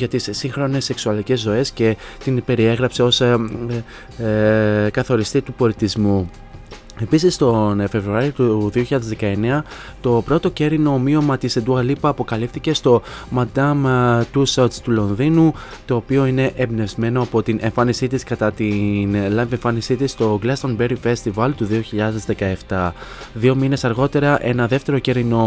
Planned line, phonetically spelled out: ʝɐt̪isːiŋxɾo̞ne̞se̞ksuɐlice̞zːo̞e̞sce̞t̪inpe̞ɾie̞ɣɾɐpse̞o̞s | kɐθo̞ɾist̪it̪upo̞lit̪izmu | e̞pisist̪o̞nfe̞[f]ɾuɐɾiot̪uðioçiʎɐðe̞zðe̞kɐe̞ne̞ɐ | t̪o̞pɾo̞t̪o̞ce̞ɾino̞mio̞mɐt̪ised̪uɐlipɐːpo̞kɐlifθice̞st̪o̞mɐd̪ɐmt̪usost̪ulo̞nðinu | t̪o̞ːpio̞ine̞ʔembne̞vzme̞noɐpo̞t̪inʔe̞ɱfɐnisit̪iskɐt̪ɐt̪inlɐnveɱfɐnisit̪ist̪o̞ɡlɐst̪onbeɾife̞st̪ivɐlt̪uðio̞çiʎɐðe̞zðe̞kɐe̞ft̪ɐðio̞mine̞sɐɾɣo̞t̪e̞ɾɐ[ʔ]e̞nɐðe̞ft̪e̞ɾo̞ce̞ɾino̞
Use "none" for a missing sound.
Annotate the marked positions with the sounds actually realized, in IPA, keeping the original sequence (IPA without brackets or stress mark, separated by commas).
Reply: v, ʔ